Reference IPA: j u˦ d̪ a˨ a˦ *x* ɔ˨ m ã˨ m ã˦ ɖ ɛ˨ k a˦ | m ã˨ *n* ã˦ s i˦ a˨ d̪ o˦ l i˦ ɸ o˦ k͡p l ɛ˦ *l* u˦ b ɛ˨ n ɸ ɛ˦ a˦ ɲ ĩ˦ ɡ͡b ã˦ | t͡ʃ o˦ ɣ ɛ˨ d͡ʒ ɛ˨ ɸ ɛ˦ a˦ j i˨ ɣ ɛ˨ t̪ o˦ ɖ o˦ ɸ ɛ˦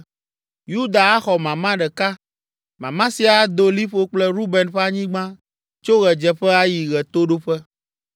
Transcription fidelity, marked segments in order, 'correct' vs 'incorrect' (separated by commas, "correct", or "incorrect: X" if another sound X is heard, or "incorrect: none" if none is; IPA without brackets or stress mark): correct, incorrect: m, incorrect: ɾ